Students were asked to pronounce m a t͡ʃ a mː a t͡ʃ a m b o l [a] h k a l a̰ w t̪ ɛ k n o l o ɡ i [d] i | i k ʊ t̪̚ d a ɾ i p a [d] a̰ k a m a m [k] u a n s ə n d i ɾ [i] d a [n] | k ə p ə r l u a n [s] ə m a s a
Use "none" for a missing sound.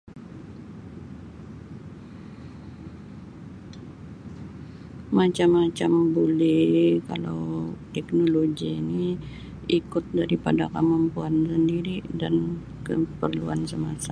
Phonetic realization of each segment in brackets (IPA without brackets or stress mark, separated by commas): ɛ, n, d, p, i, n, s